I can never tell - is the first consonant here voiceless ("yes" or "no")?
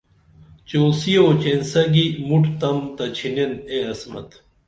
yes